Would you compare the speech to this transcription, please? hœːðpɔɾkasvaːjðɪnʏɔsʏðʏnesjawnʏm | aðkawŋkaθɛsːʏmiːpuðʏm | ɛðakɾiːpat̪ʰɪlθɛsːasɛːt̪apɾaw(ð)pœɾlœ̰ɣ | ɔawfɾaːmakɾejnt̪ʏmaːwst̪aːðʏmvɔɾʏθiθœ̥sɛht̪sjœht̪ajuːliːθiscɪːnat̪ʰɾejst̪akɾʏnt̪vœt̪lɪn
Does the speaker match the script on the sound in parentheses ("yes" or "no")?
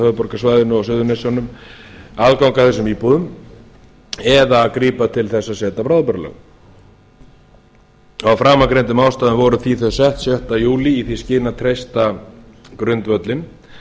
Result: yes